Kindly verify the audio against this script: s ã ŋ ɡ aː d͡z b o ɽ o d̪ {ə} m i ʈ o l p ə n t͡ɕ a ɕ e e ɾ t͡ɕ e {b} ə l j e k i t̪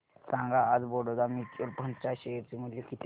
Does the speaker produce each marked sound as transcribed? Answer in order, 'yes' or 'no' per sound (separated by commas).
no, no